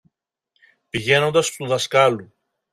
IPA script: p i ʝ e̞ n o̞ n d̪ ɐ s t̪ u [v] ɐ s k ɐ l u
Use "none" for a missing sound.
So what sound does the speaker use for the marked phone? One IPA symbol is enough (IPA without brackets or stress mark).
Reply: ð